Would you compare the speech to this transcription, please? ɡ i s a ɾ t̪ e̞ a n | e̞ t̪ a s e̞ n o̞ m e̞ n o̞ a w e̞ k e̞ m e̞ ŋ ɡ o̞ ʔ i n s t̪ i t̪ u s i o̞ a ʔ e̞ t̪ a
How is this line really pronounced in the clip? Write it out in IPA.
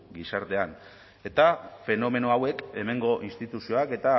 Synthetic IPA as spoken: ɡ i s a ɾ t̪ e̞ a n | e̞ t̪ a f e̞ n o̞ m e̞ n o̞ a w e̞ k e̞ m e̞ ŋ ɡ o̞ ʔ i n s t̪ i t̪ u s i o̞ a k e̞ t̪ a

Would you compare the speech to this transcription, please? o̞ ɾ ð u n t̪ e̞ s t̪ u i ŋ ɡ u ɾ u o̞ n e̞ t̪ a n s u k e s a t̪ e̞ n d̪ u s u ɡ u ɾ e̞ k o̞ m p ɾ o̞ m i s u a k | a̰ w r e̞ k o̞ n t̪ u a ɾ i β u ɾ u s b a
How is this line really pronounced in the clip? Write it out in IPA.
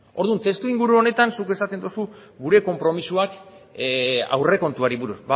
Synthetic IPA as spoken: o̞ ɾ ð u n t̪ e̞ s t̪ u i ŋ ɡ u ɾ u o̞ n e̞ t̪ a n s u k e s a t̪ e̞ n d̪ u s u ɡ u ɾ e̞ k o̞ m p ɾ o̞ m i s u a k | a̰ w r e̞ k o̞ n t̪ u a ɾ i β u ɾ u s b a

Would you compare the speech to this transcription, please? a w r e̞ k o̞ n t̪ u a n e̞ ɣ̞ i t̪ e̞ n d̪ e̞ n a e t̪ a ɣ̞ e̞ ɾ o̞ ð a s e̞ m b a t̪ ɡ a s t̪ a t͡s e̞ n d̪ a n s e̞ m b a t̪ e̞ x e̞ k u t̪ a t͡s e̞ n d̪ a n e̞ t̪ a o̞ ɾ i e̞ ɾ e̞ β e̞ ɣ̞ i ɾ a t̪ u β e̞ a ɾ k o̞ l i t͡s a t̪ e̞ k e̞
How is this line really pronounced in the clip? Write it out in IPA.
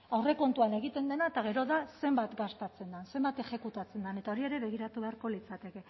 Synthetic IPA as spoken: a w r e̞ k o̞ n t̪ u a n e̞ ɣ̞ i t̪ e̞ n d̪ e̞ n a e t̪ a ɣ̞ e̞ ɾ o̞ ð a s e̞ m b a t̪ ɡ a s t̪ a t͡s e̞ n d̪ a n s e̞ m b a t̪ e̞ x e̞ k u t̪ a t͡s e̞ n d̪ a n e̞ t̪ a o̞ ɾ i e̞ ɾ e̞ β e̞ ɣ̞ i ɾ a t̪ u β e̞ a ɾ k o̞ l i t͡s a t̪ e̞ k e̞

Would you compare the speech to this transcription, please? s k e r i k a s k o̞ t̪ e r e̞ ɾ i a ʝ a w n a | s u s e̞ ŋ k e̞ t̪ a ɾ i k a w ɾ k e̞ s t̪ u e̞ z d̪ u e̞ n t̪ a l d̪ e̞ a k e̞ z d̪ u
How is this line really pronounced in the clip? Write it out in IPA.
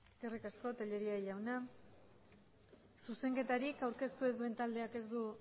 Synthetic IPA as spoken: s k e r i k a s k o̞ t̪ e ʎ e̞ ɾ i a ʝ a w n a | s u s e̞ ŋ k e̞ t̪ a ɾ i k a w ɾ k e̞ s t̪ u e̞ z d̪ u e̞ n t̪ a l d̪ e̞ a k e̞ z d̪ u

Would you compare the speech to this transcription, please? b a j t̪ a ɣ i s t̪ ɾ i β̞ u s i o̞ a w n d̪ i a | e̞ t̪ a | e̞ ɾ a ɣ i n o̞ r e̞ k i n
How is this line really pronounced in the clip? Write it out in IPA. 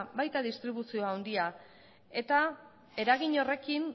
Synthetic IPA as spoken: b a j t̪ a ð i s t̪ ɾ i β̞ u s i o̞ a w n d̪ i a | e̞ t̪ a | e̞ ɾ a ɣ i ɲ o̞ r e̞ k i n

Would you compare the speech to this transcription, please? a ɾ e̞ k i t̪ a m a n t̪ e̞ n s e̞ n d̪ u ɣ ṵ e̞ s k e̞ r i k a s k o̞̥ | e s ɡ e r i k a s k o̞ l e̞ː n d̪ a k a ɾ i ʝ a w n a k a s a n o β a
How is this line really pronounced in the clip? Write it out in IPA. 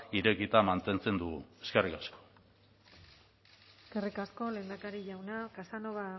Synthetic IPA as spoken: i ɾ e̞ k i t̪ a m a n t̪ e̞ n t͡s e̞ n d̪ u ɣ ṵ e̞ s k e̞ r i k a s k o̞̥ | e s k e r i k a s k o̞ l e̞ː n d̪ a k a ɾ i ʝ a w n a k a s a n o β a

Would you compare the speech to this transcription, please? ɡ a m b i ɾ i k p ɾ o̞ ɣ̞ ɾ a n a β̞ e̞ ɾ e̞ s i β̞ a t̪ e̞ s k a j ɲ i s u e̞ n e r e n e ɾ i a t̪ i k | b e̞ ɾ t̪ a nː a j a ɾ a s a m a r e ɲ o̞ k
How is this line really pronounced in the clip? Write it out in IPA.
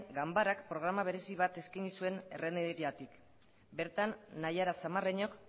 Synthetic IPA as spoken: ɡ a m b a ɾ a k p ɾ o̞ ɣ̞ ɾ a m a β̞ e̞ ɾ e̞ s i β̞ a t̪ e̞ s k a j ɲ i s u e̞ n e r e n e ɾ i a t̪ i k | b e̞ ɾ t̪ a nː a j a ɾ a s a m a r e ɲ o̞ k

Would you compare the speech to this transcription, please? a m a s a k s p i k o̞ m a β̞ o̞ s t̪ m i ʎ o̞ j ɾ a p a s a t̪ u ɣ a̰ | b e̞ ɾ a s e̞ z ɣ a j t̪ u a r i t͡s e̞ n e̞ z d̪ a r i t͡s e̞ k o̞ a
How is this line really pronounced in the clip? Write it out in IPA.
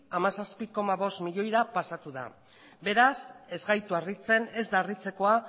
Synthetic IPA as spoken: a m a s a s p i k o̞ m a β̞ o̞ s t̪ m i ʎ o̞ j ɾ a p a s a t̪ u ð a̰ | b e̞ ɾ a s e̞ z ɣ a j t̪ u a r i t͡s e̞ n e̞ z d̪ a r i t͡s e̞ k o̞ a

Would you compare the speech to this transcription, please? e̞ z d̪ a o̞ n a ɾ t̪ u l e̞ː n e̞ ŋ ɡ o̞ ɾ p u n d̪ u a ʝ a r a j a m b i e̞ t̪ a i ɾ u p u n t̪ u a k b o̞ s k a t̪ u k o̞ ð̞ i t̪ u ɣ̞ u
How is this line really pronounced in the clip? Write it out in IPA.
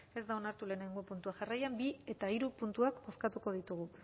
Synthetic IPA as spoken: e̞ z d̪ a o̞ n a ɾ t̪ u l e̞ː n e̞ ŋ ɡ o̞ p u n t̪ u a ʝ a r a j a m b i e̞ t̪ a i ɾ u p u n t̪ u a k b o̞ s k a t̪ u k o̞ ð̞ i t̪ u ɣ̞ u

